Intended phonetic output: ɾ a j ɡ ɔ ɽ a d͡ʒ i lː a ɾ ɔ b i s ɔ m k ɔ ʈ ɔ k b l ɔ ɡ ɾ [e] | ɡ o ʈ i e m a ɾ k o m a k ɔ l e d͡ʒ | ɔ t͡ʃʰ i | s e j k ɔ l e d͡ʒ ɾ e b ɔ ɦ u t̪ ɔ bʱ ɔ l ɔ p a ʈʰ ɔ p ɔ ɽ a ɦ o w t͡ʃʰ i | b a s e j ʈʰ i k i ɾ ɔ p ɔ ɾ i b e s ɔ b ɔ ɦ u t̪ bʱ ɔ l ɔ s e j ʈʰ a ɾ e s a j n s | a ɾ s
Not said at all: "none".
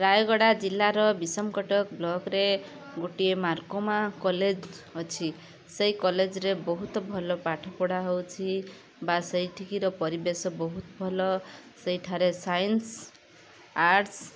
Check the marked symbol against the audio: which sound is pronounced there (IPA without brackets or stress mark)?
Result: e